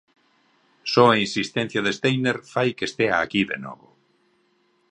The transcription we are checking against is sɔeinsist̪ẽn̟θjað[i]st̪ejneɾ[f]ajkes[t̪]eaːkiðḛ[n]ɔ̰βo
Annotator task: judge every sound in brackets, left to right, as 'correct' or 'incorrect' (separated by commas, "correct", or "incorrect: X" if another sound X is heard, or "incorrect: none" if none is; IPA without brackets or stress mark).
incorrect: e, correct, correct, correct